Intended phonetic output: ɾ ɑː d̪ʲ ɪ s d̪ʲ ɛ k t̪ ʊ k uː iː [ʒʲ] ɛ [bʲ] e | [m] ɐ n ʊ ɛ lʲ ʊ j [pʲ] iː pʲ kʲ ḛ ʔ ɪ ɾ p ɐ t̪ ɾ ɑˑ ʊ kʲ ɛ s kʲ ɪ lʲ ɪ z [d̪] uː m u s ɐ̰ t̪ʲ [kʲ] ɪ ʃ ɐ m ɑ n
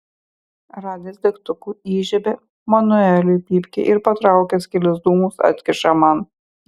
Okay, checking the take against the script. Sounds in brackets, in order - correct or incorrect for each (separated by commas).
correct, correct, correct, correct, correct, correct